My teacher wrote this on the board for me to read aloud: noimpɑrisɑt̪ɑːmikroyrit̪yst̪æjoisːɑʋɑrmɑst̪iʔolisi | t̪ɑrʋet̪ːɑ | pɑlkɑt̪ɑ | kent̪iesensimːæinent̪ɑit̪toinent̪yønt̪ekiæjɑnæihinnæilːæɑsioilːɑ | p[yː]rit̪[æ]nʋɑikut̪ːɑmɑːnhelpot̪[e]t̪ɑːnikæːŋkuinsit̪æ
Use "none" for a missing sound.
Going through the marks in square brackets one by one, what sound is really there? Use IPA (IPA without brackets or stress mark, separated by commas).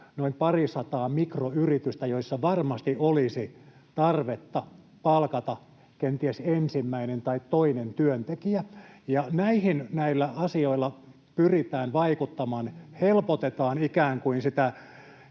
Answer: y, æː, e